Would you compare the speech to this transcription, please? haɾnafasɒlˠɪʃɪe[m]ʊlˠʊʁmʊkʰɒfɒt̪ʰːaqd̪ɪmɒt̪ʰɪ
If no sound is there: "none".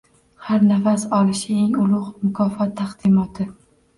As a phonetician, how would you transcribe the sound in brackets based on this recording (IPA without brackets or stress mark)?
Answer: ŋ